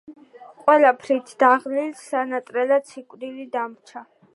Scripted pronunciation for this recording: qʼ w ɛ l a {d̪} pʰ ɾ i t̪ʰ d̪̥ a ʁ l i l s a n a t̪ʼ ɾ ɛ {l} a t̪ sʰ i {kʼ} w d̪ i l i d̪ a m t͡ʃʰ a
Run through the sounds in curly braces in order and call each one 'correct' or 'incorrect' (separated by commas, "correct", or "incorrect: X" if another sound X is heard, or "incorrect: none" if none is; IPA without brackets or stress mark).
incorrect: none, correct, correct